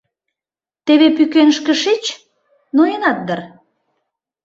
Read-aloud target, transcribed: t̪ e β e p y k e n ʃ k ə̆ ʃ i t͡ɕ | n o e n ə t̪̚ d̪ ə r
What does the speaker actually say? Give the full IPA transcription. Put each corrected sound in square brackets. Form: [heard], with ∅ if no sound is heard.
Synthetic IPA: t̪ e β e p y k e n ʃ k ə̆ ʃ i t͡ɕ | n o e n [ɑ] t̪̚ d̪ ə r